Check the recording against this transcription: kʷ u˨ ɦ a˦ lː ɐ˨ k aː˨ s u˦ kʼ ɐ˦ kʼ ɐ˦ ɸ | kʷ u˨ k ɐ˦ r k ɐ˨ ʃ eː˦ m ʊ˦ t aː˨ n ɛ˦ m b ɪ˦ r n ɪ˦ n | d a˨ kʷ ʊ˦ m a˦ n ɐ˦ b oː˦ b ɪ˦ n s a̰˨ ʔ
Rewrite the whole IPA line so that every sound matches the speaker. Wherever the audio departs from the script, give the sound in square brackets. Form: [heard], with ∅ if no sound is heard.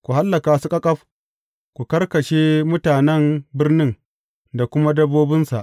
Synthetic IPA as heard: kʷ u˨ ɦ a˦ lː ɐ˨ k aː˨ s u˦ kʼ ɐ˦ kʼ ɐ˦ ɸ | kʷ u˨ k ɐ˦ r k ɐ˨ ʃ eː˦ m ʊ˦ t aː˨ n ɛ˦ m b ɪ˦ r n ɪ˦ [ŋ] | d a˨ kʷ ʊ˦ m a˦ [d] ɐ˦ b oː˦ b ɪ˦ n s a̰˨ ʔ